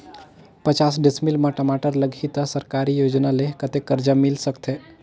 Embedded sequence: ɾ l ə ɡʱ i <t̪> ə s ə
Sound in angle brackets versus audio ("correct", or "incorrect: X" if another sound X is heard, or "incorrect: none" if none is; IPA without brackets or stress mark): correct